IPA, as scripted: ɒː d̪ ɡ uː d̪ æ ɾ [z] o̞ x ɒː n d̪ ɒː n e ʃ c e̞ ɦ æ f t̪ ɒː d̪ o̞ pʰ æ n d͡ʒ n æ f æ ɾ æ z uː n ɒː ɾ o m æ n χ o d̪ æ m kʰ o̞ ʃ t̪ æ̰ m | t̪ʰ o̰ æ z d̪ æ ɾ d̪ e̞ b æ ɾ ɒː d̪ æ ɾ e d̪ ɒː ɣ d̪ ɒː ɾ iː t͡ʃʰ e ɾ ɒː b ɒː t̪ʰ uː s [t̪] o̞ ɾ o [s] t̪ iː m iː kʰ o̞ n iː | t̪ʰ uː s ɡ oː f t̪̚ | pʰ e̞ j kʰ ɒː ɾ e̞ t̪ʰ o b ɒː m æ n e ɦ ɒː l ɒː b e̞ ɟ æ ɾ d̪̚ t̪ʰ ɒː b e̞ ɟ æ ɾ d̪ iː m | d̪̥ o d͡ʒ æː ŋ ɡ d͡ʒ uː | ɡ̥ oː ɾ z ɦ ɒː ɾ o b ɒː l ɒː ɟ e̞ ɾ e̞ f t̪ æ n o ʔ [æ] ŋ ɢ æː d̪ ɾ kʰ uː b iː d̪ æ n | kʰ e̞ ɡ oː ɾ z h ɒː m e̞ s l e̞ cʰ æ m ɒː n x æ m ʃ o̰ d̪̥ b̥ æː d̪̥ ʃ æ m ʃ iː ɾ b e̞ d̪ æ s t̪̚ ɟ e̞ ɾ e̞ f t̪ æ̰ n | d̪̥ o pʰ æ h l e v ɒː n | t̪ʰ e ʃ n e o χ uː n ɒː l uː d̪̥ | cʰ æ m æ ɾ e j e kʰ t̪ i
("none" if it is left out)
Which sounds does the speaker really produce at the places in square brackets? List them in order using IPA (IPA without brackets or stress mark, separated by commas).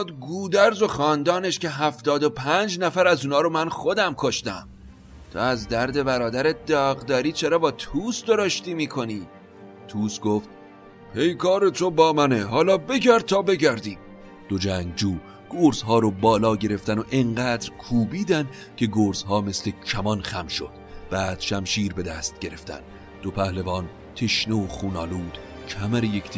z, d̪, ʃ, e